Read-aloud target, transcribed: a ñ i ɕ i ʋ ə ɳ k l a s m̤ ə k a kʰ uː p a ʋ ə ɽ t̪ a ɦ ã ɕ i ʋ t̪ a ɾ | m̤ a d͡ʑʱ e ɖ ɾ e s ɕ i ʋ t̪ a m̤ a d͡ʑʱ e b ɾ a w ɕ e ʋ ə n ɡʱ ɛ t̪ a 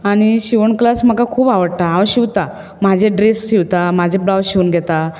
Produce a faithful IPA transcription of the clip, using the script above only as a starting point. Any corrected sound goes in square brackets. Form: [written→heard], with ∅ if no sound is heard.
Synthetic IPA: a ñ i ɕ i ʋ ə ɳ k l a s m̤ ə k a kʰ uː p a ʋ ə ɽ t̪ a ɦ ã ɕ i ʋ t̪ a [ɾ→∅] | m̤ a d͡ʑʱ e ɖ ɾ e s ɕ i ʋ t̪ a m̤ a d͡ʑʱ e b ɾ a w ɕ [e→i] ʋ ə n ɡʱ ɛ t̪ a

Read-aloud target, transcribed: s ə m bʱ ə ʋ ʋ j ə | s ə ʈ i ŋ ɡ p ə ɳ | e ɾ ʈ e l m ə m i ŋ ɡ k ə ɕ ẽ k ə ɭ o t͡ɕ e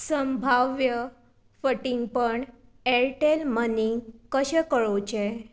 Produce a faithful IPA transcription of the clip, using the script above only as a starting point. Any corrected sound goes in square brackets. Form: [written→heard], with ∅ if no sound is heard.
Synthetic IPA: s ə m bʱ [ə→a] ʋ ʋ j ə | [s→f] ə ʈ i ŋ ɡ p ə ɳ | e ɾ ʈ e l m ə [m→n] i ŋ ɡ k ə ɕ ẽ k ə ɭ o t͡ɕ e

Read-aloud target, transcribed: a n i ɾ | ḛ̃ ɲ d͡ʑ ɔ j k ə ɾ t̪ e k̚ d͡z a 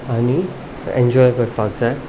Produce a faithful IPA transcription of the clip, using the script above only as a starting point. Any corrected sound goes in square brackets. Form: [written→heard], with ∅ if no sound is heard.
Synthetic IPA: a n i [ɾ→∅] | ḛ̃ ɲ d͡ʑ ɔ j k ə ɾ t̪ [e→a] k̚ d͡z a

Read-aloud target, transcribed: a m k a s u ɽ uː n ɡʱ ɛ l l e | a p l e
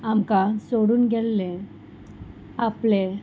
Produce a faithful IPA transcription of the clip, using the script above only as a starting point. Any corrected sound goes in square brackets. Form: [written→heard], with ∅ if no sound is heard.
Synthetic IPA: a m k a s [u→o] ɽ uː n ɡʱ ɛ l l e | a p l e

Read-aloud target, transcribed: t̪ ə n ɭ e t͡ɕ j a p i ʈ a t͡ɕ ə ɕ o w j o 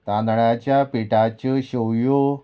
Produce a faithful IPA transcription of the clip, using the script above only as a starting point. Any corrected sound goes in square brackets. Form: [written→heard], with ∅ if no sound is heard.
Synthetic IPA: t̪ [ə→a] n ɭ [e→a] t͡ɕ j a p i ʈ a t͡ɕ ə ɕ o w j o

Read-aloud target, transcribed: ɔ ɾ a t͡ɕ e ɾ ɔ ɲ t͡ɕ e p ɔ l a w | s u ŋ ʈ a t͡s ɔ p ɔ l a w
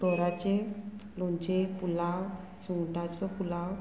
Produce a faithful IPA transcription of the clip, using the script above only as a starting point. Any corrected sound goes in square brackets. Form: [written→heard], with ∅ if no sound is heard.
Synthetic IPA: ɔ ɾ a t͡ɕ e [ɾ→l] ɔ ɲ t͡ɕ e p [ɔ→u] l a w | s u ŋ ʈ a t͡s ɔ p [ɔ→u] l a w

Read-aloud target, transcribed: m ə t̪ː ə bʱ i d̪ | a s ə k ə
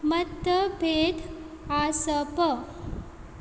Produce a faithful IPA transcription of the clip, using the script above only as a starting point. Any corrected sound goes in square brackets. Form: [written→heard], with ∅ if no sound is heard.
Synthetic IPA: m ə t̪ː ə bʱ [i→e] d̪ | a s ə [k→p] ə

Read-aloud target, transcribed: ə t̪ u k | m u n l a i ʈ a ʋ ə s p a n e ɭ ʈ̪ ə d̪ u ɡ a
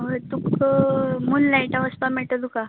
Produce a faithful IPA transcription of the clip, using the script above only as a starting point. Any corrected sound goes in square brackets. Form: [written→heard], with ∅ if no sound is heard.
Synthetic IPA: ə t̪ u k | m u n l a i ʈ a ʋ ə s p a [n→m] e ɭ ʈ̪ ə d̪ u [ɡ→k] a

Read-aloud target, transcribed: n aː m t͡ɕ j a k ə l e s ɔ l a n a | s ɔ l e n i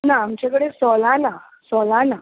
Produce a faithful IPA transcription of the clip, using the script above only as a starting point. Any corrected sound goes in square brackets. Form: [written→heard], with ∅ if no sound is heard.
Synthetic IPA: n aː m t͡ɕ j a k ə [l→ɽ] e s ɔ l a n a | s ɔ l [e→a] n [i→a]

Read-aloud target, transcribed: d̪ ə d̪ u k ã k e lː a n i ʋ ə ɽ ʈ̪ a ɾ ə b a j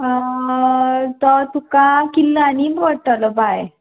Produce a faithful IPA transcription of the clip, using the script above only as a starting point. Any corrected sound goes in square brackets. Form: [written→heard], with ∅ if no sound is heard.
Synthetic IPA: [d̪→t̪] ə [d̪→t̪] u k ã k [e→i] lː a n i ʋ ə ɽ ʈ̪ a [ɾ→l] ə b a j

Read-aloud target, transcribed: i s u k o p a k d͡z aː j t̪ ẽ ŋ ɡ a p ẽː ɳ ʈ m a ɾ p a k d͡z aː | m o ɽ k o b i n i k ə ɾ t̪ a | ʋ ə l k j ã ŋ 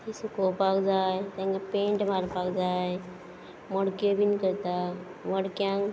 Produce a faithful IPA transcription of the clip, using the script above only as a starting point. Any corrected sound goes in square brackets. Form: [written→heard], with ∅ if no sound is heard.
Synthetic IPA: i s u k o p a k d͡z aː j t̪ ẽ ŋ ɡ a p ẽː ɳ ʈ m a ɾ p a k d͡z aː | m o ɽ k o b i n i k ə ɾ t̪ a | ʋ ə [l→ɽ] k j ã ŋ

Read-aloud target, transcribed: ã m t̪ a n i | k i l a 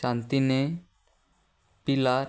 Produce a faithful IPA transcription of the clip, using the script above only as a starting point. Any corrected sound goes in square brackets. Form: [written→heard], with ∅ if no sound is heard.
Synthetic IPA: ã [m→n] t̪ [a→i] n [i→e] | [k→p] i l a

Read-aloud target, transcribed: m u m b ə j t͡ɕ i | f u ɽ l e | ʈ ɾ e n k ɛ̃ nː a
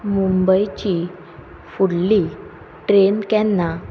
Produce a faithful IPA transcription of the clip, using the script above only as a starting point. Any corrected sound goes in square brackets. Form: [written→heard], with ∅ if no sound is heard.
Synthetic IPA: m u m b ə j t͡ɕ i | f u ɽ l [e→i] | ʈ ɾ e n k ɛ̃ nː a

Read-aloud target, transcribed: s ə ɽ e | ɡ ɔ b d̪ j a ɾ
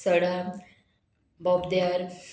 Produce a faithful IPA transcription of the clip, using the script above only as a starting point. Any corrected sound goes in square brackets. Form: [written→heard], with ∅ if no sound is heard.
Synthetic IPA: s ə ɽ [e→a] | [ɡ→b] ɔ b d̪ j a ɾ

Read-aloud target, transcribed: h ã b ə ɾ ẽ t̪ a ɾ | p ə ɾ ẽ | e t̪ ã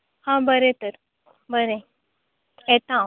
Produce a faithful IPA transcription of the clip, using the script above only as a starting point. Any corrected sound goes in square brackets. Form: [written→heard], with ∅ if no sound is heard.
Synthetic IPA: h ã b ə ɾ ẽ t̪ [a→ə] ɾ | [p→b] ə ɾ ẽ | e t̪ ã

